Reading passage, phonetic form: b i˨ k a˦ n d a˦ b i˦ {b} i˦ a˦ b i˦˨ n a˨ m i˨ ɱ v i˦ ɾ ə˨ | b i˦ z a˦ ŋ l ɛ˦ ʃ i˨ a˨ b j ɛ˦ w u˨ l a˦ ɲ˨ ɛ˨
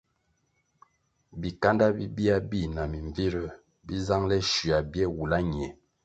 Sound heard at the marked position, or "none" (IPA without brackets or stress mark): b